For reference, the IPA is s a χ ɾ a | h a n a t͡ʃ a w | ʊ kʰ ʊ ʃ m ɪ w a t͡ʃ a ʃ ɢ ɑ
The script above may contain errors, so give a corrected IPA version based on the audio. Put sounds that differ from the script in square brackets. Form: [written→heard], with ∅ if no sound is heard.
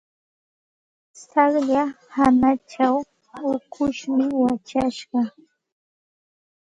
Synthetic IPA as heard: s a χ [ɾ→ʎ] a | h a n a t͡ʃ a w | ʊ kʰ ʊ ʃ m ɪ w a t͡ʃ a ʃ ɢ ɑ